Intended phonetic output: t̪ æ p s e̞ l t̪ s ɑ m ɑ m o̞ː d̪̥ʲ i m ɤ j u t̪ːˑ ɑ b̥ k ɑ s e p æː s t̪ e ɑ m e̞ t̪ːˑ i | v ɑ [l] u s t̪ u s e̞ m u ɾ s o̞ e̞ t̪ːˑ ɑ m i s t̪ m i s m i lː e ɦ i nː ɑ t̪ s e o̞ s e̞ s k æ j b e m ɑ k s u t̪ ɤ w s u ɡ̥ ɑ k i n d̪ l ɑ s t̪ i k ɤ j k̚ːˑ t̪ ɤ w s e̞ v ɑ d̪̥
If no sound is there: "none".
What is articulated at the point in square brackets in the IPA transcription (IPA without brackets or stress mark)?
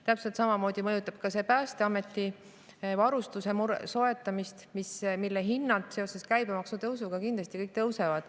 ɾ